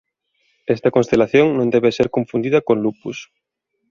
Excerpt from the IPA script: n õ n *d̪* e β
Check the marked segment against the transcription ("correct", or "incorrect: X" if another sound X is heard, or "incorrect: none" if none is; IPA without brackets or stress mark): correct